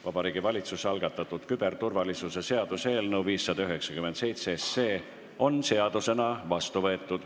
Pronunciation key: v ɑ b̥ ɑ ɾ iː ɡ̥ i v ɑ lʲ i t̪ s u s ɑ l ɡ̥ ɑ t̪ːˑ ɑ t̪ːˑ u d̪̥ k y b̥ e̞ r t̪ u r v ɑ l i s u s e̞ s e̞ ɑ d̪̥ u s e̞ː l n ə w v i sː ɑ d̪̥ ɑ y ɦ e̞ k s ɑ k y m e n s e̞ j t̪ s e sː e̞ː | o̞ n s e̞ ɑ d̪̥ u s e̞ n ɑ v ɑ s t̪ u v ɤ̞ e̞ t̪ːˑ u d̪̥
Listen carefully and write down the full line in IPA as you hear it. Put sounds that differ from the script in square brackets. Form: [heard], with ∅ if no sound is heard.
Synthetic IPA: v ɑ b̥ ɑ ɾ iː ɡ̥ i v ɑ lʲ i t̪ s u s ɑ l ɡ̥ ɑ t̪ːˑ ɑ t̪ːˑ u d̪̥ k y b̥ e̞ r t̪ u r v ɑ l i s u s e̞ s e̞ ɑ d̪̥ u s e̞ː l n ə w v [iː] sː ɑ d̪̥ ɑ y ɦ e̞ k s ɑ k y m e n s e̞ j t̪ s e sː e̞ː | o̞ n s e̞ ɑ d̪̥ u s e̞ n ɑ v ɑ s t̪ u v ɤ̞ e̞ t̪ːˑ u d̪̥